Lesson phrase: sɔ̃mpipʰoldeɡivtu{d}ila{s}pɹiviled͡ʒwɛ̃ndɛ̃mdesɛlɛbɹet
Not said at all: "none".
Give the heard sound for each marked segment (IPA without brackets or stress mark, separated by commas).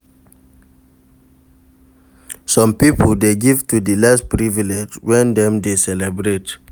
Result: d, s